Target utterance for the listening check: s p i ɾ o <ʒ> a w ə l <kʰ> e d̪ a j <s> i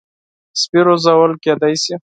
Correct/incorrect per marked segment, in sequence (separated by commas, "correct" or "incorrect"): incorrect, incorrect, correct